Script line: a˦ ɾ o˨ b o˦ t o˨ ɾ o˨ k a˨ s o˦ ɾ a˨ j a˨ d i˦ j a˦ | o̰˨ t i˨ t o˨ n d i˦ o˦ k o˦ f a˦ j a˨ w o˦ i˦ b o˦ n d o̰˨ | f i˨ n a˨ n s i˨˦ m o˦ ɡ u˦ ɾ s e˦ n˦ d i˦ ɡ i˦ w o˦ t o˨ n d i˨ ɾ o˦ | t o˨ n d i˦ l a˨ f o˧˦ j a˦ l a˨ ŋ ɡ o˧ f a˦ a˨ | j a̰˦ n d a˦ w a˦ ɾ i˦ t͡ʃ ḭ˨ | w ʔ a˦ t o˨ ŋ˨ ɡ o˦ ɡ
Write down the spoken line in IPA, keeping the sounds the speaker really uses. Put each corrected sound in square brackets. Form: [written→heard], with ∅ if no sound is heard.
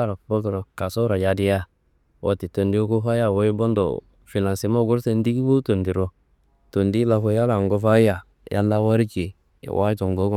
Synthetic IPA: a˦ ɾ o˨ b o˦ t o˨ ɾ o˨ k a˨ s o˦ ɾ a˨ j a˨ d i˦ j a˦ | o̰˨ t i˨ t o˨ n d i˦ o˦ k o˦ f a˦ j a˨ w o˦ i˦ b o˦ n d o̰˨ | f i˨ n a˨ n s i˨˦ m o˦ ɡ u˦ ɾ s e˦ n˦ d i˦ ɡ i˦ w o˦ t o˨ n d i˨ ɾ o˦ | t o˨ n d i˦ l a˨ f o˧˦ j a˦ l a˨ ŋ ɡ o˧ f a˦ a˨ | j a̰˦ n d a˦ w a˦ ɾ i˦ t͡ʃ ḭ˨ | w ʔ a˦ t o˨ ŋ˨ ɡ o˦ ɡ